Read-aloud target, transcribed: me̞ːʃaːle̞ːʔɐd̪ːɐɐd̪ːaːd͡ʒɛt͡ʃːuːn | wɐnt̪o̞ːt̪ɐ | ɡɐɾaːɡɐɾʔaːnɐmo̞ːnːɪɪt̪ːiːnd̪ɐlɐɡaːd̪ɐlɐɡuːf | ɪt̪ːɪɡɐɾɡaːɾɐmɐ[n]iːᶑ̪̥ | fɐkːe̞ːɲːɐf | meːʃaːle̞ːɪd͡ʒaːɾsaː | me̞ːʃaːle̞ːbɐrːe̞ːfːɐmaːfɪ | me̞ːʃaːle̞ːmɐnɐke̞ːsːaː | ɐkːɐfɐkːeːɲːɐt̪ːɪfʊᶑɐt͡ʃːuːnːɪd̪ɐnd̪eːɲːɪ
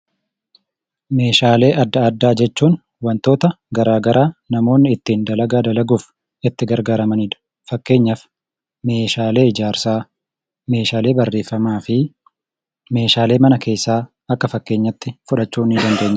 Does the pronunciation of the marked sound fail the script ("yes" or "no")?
no